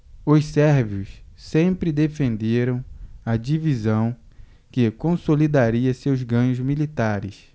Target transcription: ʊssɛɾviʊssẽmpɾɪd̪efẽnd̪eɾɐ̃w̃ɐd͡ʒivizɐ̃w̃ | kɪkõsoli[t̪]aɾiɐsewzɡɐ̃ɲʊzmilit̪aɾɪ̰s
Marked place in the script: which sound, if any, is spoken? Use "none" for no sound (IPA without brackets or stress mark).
d̪